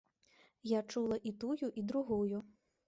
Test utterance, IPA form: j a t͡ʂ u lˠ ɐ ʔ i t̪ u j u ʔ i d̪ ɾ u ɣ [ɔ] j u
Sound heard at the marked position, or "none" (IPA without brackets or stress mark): u